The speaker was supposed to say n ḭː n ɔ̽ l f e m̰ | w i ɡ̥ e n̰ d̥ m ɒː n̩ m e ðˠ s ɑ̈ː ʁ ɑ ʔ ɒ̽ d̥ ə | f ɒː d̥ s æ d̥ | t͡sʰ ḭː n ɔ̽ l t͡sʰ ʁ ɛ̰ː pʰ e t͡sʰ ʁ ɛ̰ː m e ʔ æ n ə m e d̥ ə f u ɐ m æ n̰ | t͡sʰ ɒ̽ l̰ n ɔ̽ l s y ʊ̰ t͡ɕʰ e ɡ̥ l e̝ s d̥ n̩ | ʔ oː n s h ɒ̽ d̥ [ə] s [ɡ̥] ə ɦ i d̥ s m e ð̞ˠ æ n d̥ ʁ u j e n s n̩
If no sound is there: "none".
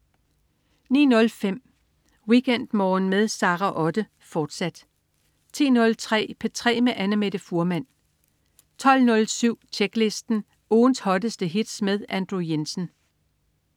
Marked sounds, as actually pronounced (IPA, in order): ə, d̥

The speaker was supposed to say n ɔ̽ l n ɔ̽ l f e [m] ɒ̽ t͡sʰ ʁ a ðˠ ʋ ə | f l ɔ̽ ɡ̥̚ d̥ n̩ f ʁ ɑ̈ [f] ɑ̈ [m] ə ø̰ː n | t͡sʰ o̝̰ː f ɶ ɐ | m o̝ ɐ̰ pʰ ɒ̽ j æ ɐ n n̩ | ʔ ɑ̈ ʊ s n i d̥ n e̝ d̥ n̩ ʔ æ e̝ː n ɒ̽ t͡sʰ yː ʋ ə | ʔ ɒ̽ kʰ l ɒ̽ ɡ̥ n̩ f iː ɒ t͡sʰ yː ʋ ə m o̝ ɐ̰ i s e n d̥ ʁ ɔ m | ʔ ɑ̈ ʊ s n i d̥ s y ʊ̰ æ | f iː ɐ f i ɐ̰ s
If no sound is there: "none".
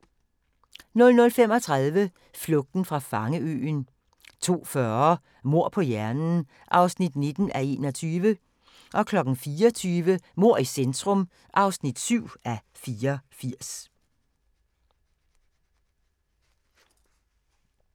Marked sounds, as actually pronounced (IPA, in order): m, f, ŋ

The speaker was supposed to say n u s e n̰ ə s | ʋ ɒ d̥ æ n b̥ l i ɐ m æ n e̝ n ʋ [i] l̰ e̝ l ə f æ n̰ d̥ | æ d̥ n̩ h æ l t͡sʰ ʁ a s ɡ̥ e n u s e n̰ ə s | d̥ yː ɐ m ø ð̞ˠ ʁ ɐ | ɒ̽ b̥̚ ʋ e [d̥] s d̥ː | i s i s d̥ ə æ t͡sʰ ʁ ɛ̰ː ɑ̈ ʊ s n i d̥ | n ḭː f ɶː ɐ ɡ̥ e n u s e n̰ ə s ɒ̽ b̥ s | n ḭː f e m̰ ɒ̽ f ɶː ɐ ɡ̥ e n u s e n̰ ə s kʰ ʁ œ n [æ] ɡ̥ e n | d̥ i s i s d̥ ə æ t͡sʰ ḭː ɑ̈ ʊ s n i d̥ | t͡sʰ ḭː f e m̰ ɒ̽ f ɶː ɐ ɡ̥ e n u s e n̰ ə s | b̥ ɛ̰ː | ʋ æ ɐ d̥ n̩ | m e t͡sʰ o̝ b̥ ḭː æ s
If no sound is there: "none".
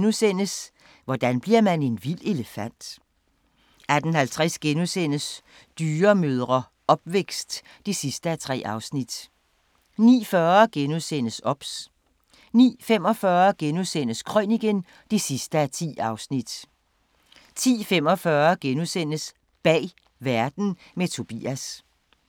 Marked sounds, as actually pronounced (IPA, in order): i, ɡ̥, i

